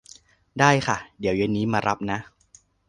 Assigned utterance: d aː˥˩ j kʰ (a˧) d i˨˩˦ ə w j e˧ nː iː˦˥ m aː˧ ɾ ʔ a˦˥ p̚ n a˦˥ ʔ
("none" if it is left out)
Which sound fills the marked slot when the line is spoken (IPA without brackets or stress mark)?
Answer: a˥˩